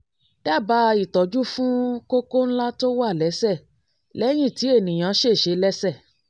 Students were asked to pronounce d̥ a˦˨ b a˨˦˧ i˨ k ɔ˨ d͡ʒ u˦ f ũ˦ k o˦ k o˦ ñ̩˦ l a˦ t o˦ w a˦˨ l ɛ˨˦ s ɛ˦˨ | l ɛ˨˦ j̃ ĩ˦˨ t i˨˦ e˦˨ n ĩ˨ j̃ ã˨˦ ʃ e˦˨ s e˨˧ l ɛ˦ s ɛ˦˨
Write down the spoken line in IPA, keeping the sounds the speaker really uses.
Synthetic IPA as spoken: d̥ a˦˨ b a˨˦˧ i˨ t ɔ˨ d͡ʒ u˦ f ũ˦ k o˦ k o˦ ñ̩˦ l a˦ t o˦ w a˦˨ l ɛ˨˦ s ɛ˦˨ | l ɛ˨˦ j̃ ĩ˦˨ t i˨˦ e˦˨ n ĩ˨ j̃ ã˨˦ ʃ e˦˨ ʃ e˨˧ l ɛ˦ s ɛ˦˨